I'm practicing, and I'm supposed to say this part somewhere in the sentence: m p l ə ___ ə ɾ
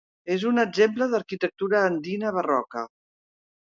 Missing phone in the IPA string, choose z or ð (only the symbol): ð